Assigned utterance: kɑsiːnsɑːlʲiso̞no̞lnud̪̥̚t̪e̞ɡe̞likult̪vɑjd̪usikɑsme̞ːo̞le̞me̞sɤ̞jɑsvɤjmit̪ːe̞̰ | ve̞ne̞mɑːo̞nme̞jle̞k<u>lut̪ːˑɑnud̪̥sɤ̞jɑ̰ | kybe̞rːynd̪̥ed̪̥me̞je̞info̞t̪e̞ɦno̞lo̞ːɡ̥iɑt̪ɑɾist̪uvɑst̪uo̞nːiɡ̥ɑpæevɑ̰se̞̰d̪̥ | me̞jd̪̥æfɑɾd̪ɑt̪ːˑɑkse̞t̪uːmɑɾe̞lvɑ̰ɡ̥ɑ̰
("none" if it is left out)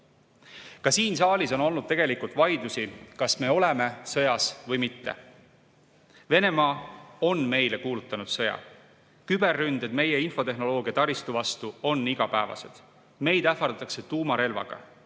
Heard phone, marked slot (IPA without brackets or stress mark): uː